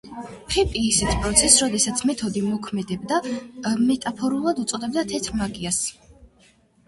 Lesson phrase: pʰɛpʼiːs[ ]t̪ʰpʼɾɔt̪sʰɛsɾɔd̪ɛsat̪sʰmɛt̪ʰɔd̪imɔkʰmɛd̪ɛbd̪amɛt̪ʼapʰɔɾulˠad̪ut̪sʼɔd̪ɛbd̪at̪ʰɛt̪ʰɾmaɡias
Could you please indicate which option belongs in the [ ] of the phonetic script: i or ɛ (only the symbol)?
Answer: ɛ